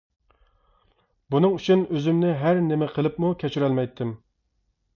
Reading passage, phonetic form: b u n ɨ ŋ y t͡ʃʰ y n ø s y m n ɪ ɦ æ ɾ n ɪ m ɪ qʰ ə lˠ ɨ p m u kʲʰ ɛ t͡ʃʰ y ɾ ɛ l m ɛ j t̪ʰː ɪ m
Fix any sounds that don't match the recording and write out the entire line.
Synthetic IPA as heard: b u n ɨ ŋ y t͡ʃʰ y n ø z y m n ɪ ɦ æ ɾ n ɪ m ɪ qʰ ə lˠ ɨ p m u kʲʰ ɛ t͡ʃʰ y ɾ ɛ l m ɛ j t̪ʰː ɪ m